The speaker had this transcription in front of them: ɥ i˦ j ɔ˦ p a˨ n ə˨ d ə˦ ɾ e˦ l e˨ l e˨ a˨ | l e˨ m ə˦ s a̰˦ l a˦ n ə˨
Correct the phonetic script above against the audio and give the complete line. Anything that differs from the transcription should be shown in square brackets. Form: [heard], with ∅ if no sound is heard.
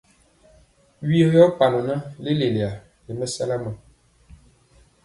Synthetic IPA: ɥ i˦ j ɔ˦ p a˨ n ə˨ [n] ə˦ [l] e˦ l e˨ l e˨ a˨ | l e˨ m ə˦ s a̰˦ l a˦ [m] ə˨